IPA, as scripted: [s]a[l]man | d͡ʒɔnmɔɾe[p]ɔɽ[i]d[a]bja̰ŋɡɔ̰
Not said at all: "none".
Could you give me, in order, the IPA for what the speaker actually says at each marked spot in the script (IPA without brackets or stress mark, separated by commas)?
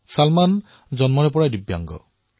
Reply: s, l, p, a, i